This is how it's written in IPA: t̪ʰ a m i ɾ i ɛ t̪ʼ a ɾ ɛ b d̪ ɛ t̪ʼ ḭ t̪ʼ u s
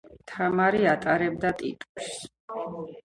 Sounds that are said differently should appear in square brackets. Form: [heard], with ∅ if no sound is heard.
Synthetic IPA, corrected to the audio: t̪ʰ a m [a] ɾ i [a] t̪ʼ a ɾ ɛ b d̪ [a] t̪ʼ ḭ t̪ʼ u s